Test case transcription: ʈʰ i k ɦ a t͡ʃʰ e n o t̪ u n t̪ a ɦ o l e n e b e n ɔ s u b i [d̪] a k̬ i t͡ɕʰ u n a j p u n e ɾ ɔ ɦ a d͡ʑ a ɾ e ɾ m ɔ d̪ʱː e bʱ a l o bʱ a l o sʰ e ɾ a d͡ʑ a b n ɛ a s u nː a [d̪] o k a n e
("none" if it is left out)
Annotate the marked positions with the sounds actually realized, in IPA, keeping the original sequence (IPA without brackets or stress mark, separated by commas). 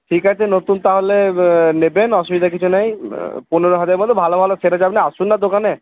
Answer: d̪, d̪